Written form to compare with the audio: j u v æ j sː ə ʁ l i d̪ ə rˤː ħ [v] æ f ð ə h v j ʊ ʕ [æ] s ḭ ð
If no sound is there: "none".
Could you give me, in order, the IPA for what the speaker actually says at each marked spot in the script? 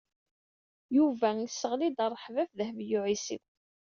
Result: v, i

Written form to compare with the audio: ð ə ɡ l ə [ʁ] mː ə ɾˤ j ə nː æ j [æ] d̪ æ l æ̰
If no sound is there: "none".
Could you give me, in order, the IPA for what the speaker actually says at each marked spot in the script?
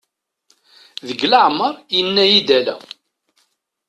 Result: ʕ, i

